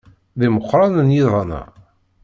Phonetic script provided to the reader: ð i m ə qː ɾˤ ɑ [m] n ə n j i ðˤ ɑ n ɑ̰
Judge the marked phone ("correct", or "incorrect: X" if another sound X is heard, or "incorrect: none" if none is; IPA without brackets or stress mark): incorrect: none